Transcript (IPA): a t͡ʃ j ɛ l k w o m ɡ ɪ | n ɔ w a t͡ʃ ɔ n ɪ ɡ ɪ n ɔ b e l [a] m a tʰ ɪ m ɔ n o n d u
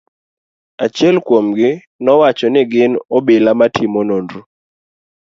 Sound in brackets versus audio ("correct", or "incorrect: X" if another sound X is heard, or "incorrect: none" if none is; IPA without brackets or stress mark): correct